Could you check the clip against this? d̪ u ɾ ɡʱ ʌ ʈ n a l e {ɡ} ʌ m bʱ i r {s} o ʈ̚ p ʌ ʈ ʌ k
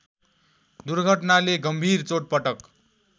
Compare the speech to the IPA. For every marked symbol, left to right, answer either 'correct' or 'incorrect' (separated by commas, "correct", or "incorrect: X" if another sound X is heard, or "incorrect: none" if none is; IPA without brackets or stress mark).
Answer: correct, incorrect: t͡s